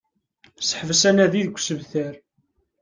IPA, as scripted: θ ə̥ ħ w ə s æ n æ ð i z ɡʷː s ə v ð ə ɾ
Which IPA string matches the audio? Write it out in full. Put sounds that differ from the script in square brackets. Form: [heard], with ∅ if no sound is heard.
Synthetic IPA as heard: [s] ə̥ ħ [v] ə s æ n æ ð i [ð] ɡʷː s ə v [θ] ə ɾ